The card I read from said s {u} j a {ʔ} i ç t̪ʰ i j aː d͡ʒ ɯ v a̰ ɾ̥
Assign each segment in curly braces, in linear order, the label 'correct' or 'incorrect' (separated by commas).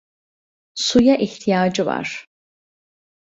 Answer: correct, correct